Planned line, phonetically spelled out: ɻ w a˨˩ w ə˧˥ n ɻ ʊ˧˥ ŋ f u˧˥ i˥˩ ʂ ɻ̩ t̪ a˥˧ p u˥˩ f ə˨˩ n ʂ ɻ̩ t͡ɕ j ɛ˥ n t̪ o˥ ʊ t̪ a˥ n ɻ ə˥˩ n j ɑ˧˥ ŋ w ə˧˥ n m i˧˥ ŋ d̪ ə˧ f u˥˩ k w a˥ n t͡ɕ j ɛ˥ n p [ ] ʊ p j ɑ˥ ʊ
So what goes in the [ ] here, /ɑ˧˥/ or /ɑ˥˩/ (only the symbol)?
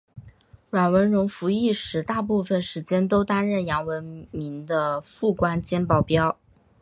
ɑ˥˩